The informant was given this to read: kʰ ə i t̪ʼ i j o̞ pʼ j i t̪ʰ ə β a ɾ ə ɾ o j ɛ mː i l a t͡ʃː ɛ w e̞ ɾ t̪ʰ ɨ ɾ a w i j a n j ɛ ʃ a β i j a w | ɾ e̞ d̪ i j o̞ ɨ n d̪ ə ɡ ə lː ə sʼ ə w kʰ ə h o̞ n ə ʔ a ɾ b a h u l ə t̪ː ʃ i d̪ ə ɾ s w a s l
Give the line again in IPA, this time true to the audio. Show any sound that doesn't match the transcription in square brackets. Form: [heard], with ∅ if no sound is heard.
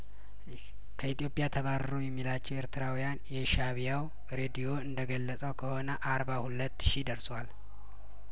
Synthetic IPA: kʰ ə i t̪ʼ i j o̞ pʼ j [a] t̪ʰ ə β a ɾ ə ɾ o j ɛ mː i l a t͡ʃː ɛ w e̞ ɾ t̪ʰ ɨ ɾ a w i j a n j ɛ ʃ a β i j a w | ɾ e̞ d̪ i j o̞ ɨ n d̪ ə ɡ ə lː ə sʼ ə w kʰ ə h o̞ n ə ʔ a ɾ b a h u l ə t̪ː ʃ i d̪ ə ɾ s w a [∅] l